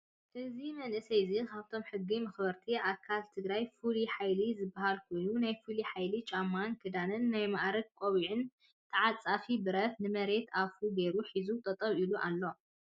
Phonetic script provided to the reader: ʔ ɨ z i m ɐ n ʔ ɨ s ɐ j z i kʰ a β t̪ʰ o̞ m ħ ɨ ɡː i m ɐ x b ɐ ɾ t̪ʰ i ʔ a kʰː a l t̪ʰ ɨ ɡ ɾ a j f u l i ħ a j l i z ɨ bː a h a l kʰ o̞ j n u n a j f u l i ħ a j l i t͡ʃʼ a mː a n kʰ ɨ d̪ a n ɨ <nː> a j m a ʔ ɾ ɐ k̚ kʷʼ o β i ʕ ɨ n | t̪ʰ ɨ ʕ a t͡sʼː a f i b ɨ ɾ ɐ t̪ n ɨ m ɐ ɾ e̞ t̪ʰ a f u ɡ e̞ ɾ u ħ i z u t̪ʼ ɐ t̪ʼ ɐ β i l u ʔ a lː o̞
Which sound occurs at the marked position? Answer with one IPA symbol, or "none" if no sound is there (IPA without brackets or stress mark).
nː